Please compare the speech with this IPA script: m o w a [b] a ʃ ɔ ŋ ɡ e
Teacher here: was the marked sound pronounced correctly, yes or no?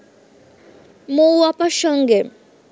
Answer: no